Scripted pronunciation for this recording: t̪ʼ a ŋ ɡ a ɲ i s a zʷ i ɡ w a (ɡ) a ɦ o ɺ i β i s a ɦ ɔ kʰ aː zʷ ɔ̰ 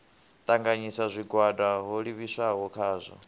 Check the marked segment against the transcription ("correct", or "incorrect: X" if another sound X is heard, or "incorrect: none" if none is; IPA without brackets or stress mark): incorrect: d